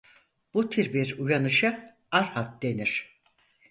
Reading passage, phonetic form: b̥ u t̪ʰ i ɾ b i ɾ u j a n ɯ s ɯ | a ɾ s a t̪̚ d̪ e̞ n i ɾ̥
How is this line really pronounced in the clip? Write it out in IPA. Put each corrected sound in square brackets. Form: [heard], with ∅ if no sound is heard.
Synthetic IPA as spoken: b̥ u t̪ʰ i ɾ b i ɾ u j a n ɯ [ʃ] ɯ | a ɾ [h] a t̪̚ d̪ e̞ n i ɾ̥